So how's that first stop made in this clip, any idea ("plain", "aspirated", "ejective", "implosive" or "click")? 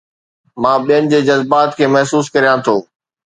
implosive